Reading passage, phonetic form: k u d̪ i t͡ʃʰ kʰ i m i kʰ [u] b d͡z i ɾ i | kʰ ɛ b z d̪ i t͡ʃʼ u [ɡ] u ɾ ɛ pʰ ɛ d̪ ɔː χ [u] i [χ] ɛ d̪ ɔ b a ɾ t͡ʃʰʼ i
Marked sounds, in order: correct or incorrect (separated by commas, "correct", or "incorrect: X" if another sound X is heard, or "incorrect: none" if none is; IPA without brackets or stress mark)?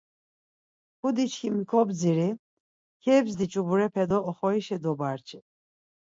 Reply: incorrect: ɔ, incorrect: b, incorrect: ɔ, incorrect: ʃ